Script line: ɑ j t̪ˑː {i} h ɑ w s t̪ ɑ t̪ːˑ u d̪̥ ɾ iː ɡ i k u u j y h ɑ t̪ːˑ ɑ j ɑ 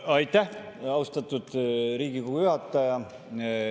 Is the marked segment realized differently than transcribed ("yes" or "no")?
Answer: yes